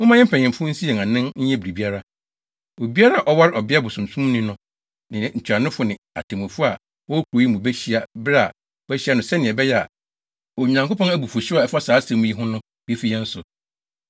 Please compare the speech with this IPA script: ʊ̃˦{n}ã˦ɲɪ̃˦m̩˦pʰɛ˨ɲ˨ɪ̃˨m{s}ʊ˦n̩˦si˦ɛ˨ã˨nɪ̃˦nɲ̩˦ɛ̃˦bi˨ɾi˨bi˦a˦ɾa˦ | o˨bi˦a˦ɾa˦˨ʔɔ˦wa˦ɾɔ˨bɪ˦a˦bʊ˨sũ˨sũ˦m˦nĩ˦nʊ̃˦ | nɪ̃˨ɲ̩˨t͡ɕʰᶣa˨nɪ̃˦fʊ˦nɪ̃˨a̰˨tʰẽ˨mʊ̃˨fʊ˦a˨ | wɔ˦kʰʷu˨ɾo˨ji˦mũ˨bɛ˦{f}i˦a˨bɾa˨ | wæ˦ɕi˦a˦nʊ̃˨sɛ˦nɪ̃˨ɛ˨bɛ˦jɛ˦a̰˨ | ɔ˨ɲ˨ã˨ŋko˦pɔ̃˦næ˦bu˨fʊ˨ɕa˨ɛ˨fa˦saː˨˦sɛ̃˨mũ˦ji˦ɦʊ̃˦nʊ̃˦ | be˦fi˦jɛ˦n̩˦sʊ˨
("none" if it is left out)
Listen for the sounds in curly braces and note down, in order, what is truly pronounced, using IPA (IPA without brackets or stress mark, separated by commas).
m, f, ɕ